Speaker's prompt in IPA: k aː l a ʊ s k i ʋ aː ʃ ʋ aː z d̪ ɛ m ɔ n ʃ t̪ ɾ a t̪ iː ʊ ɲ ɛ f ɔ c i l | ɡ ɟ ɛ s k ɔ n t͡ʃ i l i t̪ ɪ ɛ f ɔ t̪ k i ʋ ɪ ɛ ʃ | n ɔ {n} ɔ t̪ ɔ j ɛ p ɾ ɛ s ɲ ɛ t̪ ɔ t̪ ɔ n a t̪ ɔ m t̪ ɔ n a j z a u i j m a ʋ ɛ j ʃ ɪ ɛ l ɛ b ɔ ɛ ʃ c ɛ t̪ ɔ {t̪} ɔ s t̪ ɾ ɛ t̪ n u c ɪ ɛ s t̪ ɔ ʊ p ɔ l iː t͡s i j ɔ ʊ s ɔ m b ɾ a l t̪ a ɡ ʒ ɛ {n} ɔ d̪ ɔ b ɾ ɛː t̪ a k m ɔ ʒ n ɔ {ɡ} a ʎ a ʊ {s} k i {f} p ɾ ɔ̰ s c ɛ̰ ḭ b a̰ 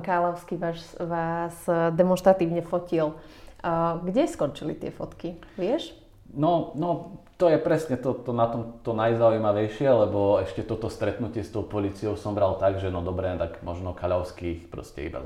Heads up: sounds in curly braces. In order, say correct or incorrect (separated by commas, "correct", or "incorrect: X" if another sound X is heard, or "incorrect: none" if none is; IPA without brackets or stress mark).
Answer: correct, correct, correct, incorrect: k, correct, incorrect: x